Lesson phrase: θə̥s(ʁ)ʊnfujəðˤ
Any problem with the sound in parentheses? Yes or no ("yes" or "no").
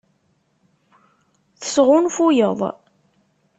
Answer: no